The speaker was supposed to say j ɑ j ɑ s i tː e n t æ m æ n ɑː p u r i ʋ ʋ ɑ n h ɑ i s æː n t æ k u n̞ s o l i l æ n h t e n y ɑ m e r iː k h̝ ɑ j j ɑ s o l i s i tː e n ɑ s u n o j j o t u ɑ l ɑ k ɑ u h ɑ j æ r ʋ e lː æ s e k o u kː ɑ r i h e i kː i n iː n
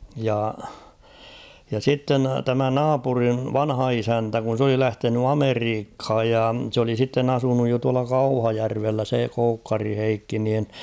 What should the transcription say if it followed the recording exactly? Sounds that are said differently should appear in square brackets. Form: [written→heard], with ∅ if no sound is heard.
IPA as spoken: j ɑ j ɑ s i tː e n t æ m æ n ɑː p u r i ʋ ʋ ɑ n h ɑ i s [æː→æ] n t æ k u n̞ s o l i l æ [n→∅] h t e n y ɑ m e r iː k h̝ ɑ j j ɑ s o l i s i tː e n ɑ s u n [o→u] j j o t u ɑ l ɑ k ɑ u h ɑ j æ r ʋ e lː æ s e k o u kː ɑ r i h e i kː i n iː n